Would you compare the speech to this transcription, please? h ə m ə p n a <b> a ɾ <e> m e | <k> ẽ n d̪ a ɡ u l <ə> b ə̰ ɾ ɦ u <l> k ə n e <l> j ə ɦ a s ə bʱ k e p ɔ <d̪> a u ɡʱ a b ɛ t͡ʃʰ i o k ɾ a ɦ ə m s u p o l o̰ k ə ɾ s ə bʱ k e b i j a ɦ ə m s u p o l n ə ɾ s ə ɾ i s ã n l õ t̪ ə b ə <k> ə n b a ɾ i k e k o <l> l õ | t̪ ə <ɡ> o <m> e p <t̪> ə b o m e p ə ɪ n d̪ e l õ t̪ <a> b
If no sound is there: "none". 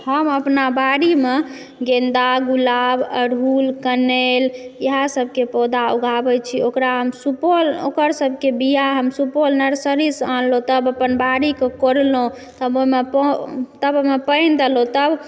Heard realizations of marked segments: b, i, ɡ, a, l, l, d̪, p, ɾ, b, m, t̪, ə

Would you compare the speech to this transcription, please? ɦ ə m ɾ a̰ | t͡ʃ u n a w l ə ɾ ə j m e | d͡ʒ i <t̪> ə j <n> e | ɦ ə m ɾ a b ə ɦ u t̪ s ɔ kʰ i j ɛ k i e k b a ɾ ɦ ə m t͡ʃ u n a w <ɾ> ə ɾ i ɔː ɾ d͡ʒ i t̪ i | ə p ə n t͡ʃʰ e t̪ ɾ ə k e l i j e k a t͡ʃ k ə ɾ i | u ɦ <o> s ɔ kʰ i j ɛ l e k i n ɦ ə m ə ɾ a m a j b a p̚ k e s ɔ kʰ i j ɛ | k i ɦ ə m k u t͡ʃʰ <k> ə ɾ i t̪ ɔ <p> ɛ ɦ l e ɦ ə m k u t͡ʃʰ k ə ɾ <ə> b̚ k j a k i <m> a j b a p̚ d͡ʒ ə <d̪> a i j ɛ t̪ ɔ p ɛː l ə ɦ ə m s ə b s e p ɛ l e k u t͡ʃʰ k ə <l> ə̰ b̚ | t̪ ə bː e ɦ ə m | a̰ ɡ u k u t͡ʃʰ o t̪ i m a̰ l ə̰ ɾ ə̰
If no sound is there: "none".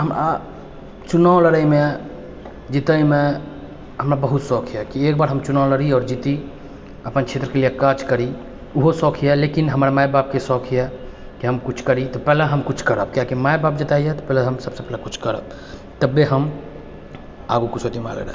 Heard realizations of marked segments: t̪, m, l, o, k, p, ə, m, t̪, ɾ

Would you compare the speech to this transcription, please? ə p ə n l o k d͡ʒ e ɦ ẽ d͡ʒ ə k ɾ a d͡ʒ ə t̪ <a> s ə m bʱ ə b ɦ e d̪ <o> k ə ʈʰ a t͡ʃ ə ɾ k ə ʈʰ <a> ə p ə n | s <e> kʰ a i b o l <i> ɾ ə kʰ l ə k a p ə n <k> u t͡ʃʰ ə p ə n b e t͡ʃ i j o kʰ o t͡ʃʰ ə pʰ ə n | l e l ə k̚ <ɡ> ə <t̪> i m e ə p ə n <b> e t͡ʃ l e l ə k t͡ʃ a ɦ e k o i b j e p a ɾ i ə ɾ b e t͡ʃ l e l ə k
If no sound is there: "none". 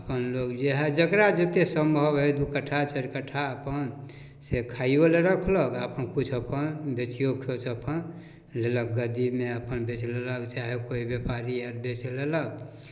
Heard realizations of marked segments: e, u, a, e, e, k, ɡ, d̪, b

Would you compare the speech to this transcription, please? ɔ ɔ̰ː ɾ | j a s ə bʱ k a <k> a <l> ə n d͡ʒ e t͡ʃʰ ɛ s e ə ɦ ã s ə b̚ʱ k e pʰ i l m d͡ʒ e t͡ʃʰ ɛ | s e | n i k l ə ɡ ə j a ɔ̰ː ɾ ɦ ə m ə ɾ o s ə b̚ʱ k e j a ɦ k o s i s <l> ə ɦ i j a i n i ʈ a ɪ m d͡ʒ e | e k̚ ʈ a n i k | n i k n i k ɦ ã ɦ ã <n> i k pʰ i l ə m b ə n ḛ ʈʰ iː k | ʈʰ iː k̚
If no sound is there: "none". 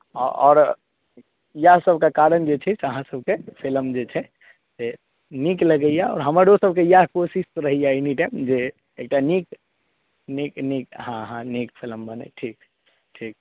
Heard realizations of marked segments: k, ɾ, ɾ, n

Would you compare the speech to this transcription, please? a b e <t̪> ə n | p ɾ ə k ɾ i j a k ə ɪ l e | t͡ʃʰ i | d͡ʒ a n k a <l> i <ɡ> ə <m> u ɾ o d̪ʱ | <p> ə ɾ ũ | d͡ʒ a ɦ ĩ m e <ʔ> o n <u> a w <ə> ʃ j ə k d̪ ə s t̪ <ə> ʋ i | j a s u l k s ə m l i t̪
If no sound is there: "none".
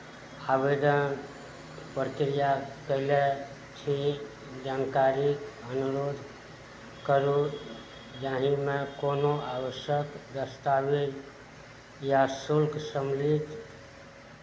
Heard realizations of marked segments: d̪, ɾ, k, n, k, k, o, ə, a

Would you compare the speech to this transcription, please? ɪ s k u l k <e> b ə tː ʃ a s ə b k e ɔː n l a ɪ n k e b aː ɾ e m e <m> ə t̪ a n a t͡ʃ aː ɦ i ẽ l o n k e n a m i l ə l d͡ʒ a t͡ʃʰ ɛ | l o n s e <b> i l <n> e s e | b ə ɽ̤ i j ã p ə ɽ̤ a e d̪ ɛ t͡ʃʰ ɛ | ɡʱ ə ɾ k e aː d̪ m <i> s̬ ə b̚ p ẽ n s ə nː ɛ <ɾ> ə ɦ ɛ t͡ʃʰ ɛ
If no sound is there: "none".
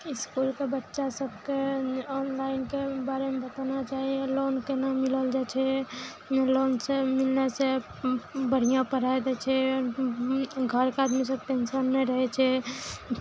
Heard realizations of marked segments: e, b, m, n, i, ɾ

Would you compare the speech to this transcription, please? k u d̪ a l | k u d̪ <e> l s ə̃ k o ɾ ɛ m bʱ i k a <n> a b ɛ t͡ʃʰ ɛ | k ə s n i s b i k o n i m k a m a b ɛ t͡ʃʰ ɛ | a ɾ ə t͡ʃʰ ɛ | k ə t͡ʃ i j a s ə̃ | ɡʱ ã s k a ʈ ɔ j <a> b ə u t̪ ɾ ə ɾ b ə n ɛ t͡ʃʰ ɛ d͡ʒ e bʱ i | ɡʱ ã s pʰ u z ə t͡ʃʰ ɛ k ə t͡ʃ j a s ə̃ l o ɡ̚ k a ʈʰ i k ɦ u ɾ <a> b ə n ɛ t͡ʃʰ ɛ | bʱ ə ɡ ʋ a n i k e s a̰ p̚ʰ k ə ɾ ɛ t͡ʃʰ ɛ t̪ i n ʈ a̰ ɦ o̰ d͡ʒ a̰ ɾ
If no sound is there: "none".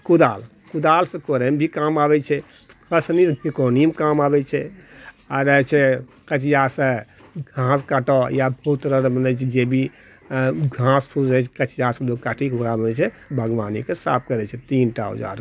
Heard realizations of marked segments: a, m, a, a

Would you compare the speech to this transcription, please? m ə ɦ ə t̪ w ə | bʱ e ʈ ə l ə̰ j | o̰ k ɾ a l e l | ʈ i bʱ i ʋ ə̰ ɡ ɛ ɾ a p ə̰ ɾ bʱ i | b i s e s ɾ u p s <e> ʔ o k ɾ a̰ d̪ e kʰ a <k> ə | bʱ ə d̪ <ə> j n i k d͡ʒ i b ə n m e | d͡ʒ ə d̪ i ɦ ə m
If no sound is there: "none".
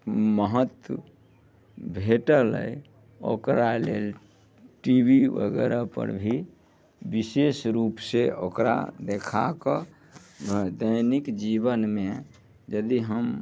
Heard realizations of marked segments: e, k, ə

